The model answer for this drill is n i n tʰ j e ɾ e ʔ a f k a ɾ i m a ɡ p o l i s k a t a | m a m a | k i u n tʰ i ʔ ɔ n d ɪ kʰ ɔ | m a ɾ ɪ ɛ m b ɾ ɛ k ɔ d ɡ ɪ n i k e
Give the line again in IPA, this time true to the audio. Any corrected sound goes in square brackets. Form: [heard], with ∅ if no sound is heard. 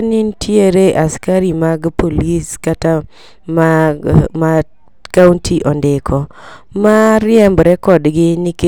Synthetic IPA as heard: n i n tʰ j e ɾ e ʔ a [s] k a ɾ i m a ɡ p o l i s k a t a | m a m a | k [a] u n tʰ i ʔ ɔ n d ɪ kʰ ɔ | m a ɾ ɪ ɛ m b ɾ ɛ k ɔ d ɡ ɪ n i k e

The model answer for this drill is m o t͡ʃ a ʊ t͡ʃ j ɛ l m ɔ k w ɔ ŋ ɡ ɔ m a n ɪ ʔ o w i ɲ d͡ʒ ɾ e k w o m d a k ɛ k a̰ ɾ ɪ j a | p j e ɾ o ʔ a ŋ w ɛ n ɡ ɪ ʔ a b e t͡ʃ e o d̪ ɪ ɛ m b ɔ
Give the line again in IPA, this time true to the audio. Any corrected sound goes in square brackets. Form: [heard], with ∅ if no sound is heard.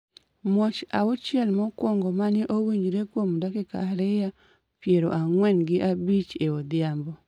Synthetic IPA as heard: m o t͡ʃ a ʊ t͡ʃ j ɛ l m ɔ k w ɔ ŋ ɡ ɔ m a n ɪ ʔ o w i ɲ d͡ʒ ɾ e k w o m d a k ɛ k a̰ ɾ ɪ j a | p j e ɾ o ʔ a ŋ w ɛ n ɡ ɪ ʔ a b [i] t͡ʃ e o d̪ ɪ [a] m b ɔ

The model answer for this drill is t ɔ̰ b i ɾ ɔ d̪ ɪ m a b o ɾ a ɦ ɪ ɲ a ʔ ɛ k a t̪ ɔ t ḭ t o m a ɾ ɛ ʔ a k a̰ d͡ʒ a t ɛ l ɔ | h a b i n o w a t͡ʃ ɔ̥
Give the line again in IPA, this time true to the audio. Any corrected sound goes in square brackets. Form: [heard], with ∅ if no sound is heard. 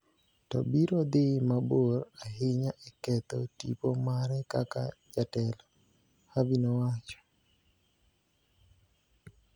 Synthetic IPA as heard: t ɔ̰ b i ɾ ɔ d̪ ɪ m a b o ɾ a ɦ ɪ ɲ a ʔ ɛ k [ɛ] t̪ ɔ t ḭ [p] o m a ɾ ɛ [k] a k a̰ d͡ʒ a t ɛ l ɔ | h a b i n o w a t͡ʃ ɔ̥

